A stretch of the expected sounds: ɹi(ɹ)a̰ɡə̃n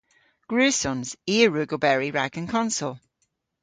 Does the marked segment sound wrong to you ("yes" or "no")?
no